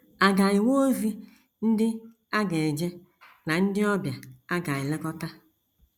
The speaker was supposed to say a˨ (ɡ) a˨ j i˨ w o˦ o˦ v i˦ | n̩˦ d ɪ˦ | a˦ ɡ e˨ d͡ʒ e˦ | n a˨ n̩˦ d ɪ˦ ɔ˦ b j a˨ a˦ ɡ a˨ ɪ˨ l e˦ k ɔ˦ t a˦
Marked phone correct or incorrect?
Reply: correct